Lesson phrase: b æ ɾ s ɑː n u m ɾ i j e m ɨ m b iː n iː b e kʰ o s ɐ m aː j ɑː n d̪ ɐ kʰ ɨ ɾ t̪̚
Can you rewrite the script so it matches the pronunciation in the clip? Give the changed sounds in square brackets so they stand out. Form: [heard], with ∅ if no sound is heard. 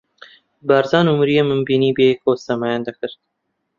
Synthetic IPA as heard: b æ ɾ [z] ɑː n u m ɾ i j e m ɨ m b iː n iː b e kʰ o s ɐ m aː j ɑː n d̪ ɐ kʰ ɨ ɾ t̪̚